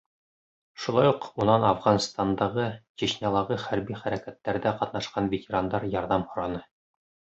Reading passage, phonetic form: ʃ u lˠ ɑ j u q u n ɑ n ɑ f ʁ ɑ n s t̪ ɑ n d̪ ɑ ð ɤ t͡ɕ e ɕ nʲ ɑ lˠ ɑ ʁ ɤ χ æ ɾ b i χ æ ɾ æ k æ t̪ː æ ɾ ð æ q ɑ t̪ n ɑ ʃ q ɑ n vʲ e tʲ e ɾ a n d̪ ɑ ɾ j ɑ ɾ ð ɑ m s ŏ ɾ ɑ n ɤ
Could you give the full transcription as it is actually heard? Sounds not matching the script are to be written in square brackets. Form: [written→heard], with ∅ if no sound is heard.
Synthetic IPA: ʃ u lˠ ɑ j u q u n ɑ n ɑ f ʁ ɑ n s t̪ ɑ n d̪ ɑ [ð→ʁ] ɤ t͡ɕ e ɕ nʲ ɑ lˠ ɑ ʁ ɤ χ æ ɾ b i χ æ ɾ æ k æ t̪ː æ ɾ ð æ q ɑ t̪ n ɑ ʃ q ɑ n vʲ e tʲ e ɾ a n d̪ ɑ ɾ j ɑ ɾ ð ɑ m [s→h] ŏ ɾ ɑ n ɤ